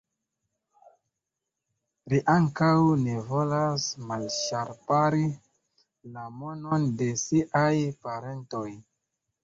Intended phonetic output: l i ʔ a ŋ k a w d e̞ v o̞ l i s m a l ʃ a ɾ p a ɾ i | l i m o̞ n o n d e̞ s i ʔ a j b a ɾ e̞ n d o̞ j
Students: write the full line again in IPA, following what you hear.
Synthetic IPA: l i ʔ a ŋ k a w n e̞ v o̞ l a s m a l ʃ a ɾ p a ɾ i | l a m o̞ n o n d e̞ s i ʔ a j p a ɾ e̞ n t o̞ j